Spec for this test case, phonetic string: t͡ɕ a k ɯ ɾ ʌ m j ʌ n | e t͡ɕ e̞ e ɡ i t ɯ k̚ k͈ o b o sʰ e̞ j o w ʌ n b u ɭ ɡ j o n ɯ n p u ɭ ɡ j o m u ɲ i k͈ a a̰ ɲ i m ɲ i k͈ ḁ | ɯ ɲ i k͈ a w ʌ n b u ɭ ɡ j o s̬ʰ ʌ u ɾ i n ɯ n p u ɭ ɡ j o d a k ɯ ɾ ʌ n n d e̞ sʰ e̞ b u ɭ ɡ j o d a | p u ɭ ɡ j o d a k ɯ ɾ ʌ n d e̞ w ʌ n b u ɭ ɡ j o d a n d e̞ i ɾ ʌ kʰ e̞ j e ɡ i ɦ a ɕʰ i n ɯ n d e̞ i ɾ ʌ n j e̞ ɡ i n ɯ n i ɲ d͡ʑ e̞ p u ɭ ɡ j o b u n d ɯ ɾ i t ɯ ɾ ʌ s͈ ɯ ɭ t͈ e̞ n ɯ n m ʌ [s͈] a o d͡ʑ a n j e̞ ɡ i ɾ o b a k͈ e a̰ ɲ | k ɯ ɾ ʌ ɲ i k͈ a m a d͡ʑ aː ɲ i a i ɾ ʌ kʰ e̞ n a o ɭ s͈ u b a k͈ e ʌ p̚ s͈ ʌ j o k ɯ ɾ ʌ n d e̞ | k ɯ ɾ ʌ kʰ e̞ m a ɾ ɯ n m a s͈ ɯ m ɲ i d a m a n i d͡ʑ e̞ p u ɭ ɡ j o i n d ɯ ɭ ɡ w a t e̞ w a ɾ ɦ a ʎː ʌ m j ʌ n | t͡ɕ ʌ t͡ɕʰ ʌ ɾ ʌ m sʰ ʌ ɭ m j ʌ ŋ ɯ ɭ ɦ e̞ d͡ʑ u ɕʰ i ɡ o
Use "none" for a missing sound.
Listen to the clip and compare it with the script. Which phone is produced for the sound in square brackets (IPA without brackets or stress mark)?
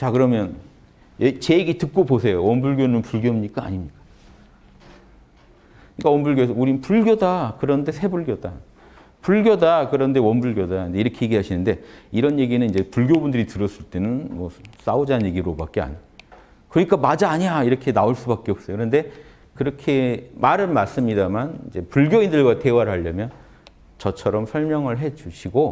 s͈